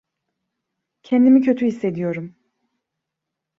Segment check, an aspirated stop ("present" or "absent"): present